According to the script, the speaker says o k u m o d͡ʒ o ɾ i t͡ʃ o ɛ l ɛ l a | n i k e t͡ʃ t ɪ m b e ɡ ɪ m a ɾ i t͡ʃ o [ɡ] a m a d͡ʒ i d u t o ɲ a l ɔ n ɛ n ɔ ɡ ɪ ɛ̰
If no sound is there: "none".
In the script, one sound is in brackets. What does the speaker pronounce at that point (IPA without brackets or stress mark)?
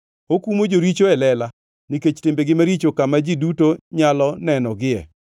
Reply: k